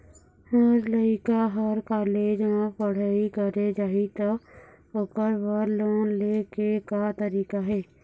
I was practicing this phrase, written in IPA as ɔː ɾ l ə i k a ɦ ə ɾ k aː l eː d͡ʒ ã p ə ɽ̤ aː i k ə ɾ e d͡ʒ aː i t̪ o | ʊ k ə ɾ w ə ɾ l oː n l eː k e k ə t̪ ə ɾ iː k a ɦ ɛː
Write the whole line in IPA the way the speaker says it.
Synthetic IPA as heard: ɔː ɾ l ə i k a ɦ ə ɾ k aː l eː d͡ʒ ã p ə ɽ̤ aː i k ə ɾ e d͡ʒ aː i t̪ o | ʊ k ə ɾ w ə ɾ l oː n l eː k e k a t̪ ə ɾ iː k a ɦ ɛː